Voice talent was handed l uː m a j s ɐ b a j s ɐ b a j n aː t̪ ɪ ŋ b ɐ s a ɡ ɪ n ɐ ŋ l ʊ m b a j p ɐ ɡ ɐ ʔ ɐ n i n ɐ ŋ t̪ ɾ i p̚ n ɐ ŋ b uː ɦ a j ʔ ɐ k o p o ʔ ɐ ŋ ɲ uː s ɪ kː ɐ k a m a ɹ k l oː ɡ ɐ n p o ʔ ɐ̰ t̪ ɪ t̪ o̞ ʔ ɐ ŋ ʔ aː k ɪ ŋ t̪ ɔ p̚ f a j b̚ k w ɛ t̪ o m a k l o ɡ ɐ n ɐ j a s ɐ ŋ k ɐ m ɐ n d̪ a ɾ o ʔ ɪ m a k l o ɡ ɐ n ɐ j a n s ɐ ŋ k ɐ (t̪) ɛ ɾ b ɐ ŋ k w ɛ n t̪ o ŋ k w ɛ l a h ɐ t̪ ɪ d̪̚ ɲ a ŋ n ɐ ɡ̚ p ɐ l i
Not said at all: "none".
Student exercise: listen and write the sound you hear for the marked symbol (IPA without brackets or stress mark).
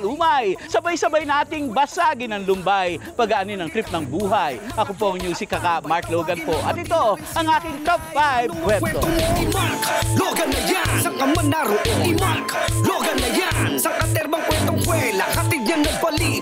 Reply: t̪